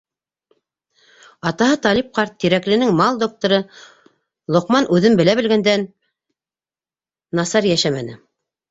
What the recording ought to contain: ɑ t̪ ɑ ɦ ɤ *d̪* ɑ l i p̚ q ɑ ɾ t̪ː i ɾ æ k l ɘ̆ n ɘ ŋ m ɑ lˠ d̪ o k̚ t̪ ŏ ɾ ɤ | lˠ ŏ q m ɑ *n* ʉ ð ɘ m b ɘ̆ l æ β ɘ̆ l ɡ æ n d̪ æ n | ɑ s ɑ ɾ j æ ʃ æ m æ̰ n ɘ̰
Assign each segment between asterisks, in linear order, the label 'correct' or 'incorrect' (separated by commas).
incorrect, correct